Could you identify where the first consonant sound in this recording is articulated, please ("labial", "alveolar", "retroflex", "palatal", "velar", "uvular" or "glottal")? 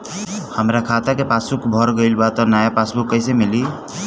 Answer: glottal